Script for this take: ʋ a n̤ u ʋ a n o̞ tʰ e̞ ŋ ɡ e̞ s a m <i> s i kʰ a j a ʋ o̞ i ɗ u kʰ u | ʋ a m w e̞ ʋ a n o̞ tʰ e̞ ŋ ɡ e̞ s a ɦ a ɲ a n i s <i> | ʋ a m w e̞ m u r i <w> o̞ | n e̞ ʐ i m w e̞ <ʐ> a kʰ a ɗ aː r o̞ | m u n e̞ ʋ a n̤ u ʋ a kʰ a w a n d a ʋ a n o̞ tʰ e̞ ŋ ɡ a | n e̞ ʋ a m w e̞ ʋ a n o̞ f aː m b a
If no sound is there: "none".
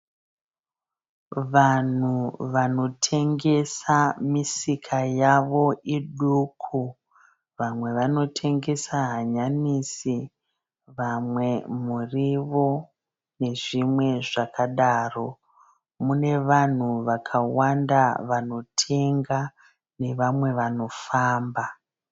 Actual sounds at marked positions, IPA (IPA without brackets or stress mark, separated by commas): i, i, ʋ, ʐ